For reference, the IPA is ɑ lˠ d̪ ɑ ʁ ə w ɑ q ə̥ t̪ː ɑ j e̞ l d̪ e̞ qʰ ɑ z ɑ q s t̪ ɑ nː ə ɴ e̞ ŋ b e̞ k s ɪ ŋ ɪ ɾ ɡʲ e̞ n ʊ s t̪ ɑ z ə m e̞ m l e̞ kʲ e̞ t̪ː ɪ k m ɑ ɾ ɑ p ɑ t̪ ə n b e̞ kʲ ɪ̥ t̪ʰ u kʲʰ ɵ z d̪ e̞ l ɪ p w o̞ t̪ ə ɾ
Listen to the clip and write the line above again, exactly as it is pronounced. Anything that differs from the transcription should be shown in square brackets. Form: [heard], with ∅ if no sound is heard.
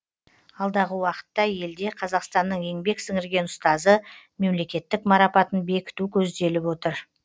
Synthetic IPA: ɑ lˠ d̪ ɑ ʁ ə w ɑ q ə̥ t̪ː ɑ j e̞ l d̪ e̞ qʰ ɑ z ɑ q s t̪ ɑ nː ə ɴ e̞ ŋ b e̞ k s ɪ ŋ ɪ ɾ ɡʲ e̞ n ʊ s t̪ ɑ z ə m e̞ m l e̞ kʲ e̞ t̪ː ɪ k m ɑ ɾ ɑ p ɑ t̪ ə n b e̞ kʲ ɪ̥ [t̪] u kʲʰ ɵ z d̪ e̞ l ɪ p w o̞ t̪ ə ɾ